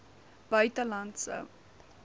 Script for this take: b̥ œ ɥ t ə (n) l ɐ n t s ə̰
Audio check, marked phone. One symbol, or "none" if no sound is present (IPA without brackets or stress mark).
none